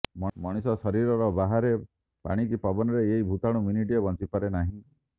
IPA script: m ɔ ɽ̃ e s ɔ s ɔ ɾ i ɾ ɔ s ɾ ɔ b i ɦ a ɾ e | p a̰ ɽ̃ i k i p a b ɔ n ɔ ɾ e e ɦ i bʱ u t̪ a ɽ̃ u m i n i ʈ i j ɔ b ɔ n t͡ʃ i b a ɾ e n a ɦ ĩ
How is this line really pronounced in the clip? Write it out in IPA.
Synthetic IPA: m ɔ ɽ̃ i s ɔ s ɔ ɾ i ɾ ɔ ɾ ɔ b a ɦ a ɾ e | p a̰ ɽ̃ i k i p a b ɔ n ɔ ɾ e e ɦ i bʱ u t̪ a ɽ̃ u m i n i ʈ i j ɔ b ɔ n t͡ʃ i p a ɾ e n a ɦ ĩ